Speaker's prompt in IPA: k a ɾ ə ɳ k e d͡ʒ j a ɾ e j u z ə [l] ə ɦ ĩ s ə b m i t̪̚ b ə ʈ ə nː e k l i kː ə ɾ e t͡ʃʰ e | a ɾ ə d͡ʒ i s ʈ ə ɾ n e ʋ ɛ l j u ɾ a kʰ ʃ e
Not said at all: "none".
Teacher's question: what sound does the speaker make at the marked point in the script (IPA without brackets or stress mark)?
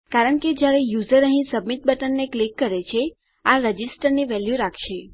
ɾ